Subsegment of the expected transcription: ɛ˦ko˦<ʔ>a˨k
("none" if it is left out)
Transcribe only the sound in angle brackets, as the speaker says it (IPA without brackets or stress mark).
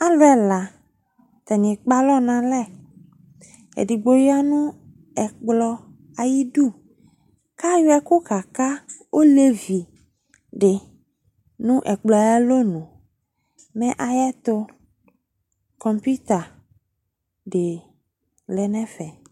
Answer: k